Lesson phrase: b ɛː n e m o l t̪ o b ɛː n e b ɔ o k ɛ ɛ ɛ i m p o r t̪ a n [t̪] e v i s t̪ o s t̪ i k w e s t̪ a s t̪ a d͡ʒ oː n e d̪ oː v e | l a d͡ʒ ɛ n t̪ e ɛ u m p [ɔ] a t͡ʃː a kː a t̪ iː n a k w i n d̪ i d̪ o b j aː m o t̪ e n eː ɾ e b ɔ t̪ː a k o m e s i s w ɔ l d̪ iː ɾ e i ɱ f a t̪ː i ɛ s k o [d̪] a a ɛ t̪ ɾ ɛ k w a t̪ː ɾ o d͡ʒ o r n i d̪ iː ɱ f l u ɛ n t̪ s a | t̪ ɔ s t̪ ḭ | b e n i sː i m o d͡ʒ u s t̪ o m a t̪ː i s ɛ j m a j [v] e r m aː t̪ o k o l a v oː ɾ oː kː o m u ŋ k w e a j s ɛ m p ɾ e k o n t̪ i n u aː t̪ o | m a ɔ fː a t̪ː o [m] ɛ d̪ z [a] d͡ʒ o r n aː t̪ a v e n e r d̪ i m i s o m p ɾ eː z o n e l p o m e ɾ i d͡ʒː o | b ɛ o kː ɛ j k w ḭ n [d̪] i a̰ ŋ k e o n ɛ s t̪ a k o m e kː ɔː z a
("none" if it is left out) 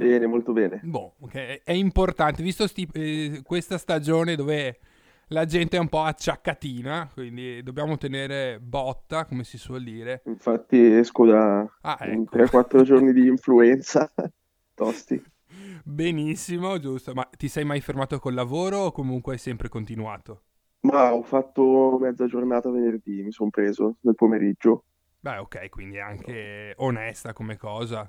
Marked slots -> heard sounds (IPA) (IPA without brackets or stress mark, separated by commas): t̪, ɔ, d̪, f, m, a, d̪